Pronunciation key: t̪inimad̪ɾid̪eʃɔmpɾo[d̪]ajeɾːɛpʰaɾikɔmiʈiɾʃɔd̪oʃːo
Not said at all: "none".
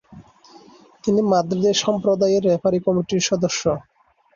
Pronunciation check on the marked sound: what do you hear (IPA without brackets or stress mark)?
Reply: d̪